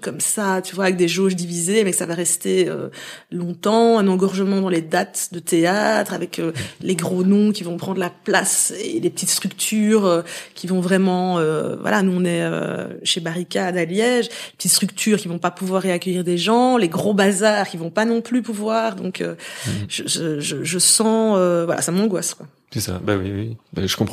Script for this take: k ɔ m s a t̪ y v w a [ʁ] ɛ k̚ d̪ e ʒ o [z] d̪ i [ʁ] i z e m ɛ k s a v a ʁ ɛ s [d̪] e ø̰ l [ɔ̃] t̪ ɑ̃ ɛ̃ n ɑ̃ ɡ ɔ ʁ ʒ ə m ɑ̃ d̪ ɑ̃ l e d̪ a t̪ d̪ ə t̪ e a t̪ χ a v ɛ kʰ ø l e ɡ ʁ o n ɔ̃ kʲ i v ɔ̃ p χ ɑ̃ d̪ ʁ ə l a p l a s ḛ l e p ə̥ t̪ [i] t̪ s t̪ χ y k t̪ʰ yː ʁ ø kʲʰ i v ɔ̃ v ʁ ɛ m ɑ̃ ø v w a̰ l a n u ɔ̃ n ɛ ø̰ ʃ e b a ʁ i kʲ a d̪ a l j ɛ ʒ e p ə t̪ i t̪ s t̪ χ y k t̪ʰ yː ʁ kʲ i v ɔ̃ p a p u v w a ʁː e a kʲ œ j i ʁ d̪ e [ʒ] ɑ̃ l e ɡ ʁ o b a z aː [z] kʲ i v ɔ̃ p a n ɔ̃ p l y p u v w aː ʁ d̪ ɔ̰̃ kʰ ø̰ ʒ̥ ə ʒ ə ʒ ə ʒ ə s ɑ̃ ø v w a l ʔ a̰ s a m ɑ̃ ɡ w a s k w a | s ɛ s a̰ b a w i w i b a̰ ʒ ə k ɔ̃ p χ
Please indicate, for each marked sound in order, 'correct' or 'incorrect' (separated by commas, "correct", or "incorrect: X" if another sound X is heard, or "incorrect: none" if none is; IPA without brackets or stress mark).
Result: incorrect: v, incorrect: ʒ, incorrect: v, incorrect: t̪, correct, correct, correct, incorrect: ʁ